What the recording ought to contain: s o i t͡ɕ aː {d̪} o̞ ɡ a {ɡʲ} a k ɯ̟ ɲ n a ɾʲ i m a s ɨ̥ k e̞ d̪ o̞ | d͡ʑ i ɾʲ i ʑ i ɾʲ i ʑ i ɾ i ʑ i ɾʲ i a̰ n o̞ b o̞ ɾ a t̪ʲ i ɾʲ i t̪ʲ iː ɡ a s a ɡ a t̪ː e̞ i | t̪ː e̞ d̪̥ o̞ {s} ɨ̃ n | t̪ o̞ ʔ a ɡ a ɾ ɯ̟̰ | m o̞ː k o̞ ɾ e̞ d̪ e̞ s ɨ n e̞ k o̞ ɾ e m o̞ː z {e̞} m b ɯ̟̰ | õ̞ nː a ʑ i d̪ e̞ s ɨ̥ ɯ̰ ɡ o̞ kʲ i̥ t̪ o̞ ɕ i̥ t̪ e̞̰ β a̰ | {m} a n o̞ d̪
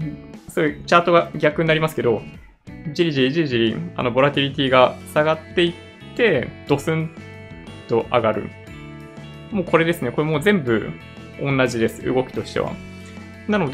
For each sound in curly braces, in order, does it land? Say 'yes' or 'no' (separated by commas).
no, yes, yes, no, no